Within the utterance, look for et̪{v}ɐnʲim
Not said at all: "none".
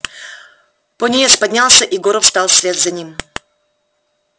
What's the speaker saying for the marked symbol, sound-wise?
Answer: z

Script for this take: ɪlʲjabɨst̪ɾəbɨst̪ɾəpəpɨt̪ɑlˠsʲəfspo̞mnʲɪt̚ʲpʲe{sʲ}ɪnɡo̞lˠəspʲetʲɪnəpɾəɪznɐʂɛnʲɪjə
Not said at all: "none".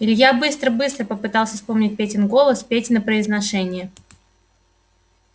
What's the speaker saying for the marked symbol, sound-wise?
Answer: tʲ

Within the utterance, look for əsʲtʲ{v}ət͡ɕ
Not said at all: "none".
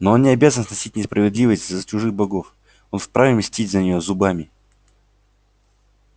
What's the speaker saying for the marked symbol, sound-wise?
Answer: z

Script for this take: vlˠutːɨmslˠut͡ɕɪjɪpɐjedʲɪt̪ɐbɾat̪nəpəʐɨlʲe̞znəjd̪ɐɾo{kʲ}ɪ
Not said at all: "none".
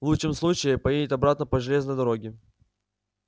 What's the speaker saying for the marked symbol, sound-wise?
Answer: ɡʲ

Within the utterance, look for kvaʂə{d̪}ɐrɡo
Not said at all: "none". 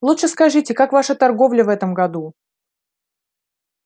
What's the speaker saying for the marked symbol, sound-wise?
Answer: t̪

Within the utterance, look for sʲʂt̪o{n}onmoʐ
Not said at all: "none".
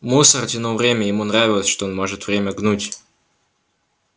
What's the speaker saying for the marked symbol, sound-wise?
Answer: none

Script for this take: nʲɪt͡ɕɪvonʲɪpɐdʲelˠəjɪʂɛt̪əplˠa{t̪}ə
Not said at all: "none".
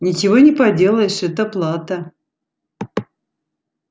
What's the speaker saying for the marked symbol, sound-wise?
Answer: t̪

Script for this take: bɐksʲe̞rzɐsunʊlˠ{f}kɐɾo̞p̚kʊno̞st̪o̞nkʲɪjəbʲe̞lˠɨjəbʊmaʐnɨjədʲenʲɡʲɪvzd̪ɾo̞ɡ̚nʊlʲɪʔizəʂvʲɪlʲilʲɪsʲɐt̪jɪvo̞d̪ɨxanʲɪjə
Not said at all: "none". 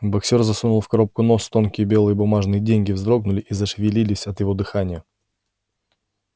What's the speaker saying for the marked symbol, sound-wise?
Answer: f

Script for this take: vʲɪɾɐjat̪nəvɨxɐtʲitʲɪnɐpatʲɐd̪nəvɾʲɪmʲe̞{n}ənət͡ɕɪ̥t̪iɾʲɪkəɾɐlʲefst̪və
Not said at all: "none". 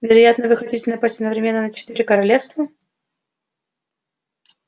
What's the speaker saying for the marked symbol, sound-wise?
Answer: nː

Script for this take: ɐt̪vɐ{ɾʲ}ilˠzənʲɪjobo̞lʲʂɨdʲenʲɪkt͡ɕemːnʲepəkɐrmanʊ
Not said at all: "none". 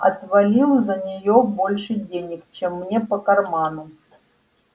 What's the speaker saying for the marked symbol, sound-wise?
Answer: lʲ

